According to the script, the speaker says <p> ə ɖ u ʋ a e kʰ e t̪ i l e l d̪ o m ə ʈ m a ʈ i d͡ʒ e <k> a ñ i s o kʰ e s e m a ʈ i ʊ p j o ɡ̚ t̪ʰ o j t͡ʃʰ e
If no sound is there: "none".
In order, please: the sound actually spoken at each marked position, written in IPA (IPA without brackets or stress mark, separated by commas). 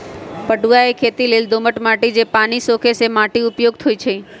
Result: p, p